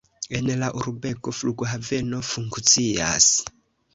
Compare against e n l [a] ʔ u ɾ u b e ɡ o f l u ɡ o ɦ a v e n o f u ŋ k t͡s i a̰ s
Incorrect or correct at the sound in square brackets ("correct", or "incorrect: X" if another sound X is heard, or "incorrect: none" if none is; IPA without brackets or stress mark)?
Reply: correct